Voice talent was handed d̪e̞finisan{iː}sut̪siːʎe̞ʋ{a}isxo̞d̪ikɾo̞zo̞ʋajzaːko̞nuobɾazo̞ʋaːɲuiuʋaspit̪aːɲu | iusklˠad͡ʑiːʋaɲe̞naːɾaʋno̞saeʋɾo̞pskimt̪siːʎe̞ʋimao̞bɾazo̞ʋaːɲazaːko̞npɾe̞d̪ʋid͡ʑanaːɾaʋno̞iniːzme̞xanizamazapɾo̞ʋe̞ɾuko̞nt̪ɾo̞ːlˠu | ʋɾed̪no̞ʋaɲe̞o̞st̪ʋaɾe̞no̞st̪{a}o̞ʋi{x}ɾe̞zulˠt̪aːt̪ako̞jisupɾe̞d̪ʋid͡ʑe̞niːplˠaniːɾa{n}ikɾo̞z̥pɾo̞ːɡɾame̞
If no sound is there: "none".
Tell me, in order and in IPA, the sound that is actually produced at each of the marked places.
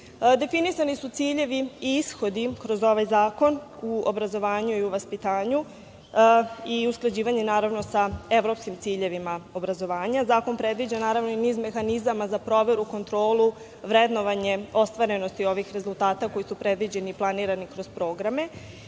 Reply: i, i, i, x, n

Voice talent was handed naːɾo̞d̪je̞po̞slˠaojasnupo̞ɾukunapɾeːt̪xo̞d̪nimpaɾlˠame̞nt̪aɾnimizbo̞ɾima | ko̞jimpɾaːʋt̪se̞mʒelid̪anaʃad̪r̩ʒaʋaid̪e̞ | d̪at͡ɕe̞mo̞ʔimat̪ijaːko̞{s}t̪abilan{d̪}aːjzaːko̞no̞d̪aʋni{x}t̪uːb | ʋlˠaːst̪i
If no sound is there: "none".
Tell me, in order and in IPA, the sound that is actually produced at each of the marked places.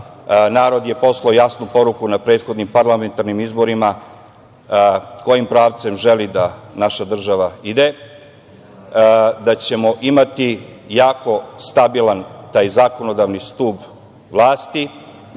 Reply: s, t̪, s

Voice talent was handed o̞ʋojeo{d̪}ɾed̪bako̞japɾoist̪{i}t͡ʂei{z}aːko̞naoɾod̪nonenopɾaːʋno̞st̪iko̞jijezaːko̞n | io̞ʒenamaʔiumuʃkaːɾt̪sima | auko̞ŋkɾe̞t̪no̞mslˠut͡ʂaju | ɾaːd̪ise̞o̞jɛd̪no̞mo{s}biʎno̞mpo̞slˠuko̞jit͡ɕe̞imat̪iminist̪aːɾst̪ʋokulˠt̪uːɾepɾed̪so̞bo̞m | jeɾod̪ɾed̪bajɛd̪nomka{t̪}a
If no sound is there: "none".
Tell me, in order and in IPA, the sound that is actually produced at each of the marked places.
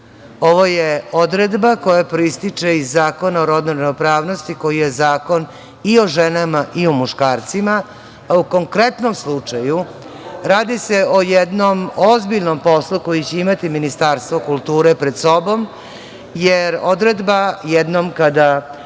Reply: d̪, i, zː, z, d̪

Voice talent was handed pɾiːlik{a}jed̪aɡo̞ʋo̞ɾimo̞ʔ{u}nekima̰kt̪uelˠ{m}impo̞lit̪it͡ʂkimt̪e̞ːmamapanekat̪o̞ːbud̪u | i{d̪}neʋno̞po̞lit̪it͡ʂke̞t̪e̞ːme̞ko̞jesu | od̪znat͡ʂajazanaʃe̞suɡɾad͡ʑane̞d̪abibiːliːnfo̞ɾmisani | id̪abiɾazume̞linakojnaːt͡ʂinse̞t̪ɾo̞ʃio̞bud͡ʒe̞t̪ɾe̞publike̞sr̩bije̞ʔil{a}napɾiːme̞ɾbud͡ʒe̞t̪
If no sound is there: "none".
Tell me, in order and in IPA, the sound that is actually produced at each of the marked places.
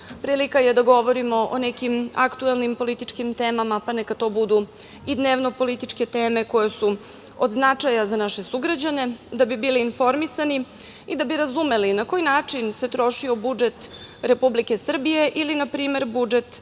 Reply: a, o, n, d̪, i

